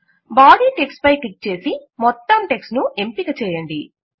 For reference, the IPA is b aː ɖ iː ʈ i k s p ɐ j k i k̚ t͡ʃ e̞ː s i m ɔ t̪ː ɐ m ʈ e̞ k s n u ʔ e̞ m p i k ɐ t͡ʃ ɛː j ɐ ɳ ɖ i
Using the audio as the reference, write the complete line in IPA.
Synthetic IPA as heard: b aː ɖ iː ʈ e k s p ɐ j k i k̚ t͡ʃ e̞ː s i m ɔ t̪ː ɐ m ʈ e̞ k s n u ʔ e̞ m p i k ɐ t͡ʃ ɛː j ɐ ɳ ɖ i